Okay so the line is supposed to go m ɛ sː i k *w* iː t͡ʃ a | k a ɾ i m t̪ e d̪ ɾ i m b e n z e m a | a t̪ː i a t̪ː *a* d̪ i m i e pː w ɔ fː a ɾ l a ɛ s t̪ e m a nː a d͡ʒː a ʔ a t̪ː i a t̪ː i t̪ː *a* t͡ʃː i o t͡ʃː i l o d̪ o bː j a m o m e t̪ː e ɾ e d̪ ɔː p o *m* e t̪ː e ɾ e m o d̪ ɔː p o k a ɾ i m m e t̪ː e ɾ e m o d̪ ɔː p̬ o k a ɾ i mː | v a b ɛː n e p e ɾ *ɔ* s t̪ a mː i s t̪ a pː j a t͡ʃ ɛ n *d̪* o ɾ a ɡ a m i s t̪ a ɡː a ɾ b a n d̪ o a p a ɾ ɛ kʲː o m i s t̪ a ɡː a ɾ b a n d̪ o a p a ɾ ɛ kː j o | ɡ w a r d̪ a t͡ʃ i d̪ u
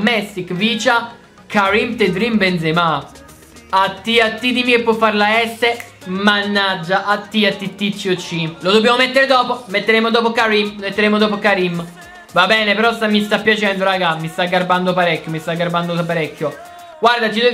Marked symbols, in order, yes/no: no, no, no, yes, yes, yes

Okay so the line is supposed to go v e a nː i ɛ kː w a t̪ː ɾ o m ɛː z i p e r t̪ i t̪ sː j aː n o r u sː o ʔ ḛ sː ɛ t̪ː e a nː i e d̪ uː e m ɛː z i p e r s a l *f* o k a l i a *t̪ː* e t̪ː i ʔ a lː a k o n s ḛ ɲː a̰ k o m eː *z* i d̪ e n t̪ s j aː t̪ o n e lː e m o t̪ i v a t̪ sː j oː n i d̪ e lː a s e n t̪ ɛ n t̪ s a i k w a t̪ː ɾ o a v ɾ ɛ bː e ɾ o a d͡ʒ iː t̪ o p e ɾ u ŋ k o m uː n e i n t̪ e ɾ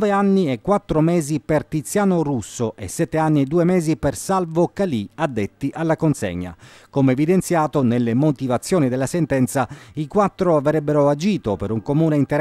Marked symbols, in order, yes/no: no, no, no

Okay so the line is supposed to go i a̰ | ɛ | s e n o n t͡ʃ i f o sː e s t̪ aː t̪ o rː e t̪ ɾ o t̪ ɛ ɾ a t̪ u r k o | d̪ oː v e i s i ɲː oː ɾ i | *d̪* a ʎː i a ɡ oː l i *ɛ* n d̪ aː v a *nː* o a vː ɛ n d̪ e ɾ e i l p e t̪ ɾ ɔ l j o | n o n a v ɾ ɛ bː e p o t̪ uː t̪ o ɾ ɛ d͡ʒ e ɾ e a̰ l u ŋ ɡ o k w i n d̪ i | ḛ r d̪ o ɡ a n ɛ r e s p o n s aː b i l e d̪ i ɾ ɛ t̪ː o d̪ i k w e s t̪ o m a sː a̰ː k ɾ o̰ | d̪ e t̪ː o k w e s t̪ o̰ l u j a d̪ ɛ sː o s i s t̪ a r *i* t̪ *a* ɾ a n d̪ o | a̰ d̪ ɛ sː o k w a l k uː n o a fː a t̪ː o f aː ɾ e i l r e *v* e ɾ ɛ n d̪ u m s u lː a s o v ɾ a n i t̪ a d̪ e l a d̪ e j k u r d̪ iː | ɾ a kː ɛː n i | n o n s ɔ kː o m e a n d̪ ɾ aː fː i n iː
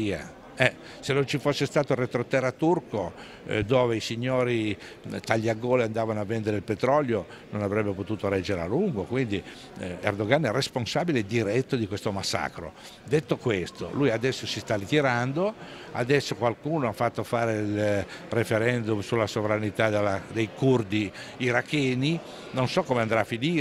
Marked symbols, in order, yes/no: no, no, no, yes, no, no

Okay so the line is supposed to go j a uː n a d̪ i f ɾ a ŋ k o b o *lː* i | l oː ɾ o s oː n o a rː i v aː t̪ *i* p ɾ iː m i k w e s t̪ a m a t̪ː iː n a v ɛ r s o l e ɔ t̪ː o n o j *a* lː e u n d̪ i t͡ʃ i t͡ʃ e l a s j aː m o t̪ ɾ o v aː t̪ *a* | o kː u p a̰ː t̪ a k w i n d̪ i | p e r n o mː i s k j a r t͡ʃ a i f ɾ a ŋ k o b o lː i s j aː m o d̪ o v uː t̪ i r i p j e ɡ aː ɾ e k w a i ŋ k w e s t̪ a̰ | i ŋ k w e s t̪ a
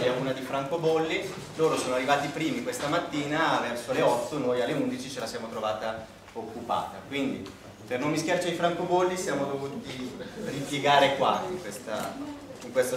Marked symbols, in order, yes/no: yes, yes, yes, yes

